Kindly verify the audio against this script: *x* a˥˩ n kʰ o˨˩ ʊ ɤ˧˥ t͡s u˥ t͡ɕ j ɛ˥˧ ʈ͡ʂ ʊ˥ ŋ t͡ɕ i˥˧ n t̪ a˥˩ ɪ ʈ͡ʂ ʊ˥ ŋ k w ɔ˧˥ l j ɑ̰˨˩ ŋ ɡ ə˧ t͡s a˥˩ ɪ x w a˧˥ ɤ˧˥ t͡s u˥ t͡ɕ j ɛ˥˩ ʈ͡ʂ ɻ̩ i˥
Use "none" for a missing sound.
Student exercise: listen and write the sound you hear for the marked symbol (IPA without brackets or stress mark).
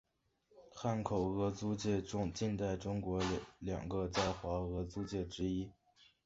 x